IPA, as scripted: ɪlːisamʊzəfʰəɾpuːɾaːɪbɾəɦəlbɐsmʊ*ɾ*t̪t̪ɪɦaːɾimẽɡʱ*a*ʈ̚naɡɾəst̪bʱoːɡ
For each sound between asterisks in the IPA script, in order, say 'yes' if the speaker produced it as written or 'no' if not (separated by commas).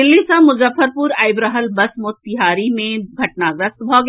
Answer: no, no